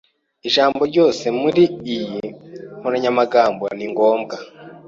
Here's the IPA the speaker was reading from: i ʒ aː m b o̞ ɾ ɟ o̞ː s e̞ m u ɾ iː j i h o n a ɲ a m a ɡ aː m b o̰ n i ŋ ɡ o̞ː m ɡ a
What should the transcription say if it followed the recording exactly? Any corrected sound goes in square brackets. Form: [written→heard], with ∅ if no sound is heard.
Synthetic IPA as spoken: i ʒ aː m b o̞ ɾ ɟ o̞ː s e̞ m u ɾ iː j i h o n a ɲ a m a ɡ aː m b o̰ n i ŋ ɡ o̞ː m ɡ a